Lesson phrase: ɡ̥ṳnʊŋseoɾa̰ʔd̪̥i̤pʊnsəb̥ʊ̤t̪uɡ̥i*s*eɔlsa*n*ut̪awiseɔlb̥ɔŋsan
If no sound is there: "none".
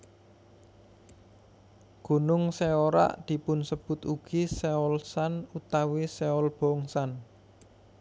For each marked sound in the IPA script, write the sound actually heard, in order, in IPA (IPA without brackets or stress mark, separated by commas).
s, n